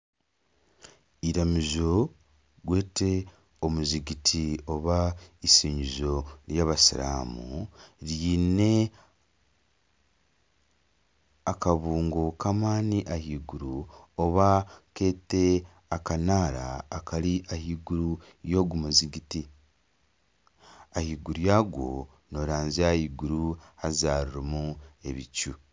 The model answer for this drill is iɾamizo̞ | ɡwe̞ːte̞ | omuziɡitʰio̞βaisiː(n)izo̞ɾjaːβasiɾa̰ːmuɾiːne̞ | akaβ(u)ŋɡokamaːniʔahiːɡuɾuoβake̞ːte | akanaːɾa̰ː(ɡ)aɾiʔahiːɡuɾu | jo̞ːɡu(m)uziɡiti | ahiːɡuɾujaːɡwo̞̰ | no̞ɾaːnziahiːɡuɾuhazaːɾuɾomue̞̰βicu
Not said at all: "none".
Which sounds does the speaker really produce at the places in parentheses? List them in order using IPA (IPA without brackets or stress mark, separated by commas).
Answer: ɲ, uː, k, m